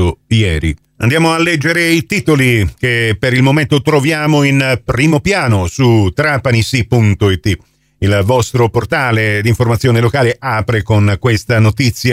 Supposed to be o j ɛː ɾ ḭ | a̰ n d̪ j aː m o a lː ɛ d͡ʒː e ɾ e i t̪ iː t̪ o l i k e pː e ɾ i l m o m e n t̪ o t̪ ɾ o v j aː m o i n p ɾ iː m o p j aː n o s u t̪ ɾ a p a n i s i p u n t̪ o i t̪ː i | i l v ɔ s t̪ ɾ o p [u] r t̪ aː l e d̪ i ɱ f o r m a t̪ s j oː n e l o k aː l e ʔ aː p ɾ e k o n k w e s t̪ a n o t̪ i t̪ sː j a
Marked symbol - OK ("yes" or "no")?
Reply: no